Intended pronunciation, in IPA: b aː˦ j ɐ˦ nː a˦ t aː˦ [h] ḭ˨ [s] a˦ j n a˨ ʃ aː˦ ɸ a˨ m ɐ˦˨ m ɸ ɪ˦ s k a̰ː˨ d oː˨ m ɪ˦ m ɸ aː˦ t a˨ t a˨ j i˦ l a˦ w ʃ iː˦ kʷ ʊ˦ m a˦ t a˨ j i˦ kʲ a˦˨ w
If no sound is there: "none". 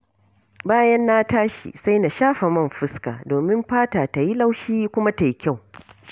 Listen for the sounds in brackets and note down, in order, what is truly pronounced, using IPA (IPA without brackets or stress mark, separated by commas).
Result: ʃ, s